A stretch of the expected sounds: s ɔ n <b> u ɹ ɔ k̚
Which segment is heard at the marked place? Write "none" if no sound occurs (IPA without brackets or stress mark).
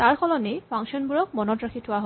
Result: b